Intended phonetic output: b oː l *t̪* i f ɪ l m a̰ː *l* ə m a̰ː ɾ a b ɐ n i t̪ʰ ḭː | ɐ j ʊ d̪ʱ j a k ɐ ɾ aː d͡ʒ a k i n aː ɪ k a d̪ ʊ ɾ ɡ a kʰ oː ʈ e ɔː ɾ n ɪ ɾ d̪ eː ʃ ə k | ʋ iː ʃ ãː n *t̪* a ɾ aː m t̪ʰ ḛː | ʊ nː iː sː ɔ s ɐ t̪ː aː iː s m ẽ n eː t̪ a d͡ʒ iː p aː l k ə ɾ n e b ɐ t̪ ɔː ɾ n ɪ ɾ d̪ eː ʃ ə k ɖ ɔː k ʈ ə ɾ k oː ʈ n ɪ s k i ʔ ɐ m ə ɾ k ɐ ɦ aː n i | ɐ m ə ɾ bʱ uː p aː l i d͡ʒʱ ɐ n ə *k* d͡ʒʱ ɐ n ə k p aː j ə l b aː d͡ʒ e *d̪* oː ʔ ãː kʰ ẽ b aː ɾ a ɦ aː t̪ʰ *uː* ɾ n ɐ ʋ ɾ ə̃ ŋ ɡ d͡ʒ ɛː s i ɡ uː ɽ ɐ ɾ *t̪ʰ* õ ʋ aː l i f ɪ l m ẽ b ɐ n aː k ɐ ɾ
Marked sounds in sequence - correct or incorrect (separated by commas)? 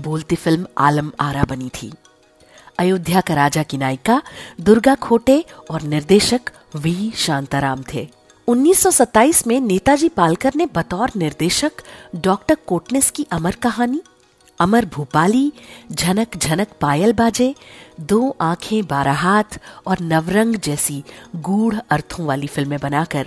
correct, correct, correct, correct, correct, incorrect, correct